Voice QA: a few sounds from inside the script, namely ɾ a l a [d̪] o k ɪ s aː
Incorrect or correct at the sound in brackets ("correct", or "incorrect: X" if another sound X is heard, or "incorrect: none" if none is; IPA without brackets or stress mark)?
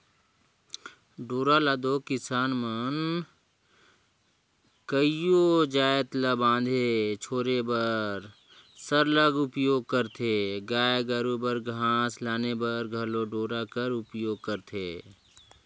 correct